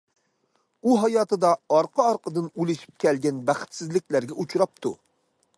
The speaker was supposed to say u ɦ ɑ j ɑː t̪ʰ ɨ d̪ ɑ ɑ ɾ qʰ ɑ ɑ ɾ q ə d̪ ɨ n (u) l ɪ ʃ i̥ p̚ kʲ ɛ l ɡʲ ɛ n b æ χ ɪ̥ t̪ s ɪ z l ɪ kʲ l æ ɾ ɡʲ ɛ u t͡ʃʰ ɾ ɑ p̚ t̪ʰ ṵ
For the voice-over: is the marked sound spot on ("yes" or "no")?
yes